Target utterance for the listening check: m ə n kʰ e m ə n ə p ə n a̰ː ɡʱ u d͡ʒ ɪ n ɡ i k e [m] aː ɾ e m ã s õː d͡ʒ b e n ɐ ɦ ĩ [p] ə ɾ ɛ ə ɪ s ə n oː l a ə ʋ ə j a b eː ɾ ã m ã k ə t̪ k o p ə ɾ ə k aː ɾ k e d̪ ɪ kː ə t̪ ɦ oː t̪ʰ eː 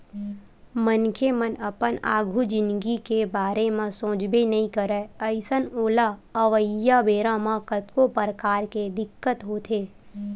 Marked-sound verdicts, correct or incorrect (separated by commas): incorrect, incorrect